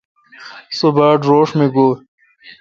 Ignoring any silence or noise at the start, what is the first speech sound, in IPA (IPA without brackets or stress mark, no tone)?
s